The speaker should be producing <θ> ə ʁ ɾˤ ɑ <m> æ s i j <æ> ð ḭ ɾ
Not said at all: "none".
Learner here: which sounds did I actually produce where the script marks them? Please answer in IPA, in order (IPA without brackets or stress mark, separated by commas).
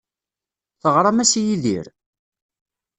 θ, m, i